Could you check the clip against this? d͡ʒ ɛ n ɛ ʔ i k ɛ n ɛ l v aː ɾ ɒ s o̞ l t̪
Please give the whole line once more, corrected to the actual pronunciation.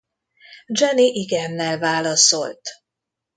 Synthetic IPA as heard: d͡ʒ ɛ n i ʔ i ɡ ɛ nː ɛ l v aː l ɒ s o̞ l t̪